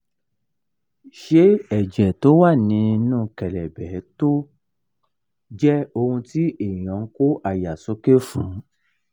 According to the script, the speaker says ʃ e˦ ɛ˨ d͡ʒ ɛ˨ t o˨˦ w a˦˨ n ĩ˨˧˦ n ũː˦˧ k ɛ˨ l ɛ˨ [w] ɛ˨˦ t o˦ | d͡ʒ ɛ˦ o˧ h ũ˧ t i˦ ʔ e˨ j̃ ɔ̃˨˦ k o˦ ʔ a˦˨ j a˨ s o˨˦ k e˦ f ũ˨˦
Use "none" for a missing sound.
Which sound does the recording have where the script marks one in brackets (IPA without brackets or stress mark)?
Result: b